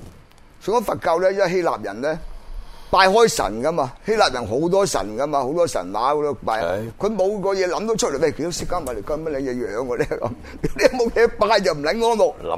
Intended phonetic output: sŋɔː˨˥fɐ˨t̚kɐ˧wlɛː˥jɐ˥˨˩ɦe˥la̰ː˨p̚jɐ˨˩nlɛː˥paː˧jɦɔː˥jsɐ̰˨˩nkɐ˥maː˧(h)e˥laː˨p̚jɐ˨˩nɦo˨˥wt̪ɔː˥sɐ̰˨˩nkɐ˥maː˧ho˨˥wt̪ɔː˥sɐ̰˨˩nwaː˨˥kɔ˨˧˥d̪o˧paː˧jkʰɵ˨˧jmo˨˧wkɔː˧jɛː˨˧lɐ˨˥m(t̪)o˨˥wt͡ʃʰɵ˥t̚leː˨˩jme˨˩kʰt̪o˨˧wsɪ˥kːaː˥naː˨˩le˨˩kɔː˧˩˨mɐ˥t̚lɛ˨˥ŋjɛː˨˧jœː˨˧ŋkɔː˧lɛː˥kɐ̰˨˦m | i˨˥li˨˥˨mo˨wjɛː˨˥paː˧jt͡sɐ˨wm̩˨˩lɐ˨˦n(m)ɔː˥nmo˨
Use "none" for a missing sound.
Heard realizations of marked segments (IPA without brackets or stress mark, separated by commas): h, t̪, ŋ